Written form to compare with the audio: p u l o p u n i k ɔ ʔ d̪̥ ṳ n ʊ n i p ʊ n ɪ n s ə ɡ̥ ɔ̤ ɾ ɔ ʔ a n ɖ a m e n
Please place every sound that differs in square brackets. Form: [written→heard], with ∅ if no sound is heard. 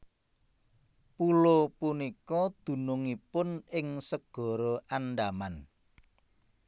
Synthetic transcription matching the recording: p u l o p u n i k ɔ [ʔ→∅] d̪̥ ṳ n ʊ [n→ŋ] i p ʊ n ɪ [n→ŋ] s ə ɡ̥ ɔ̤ ɾ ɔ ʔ a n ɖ a m [e→a] n